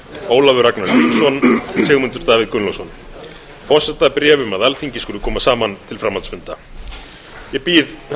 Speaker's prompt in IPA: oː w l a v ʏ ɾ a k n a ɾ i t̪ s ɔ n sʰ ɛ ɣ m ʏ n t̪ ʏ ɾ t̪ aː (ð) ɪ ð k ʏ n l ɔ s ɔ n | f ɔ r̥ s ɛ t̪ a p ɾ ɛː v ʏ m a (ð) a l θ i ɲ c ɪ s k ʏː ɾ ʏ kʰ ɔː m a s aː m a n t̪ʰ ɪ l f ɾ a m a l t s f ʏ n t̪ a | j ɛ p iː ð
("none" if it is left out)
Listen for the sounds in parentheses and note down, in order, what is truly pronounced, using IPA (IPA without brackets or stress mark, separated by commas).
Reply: v, ð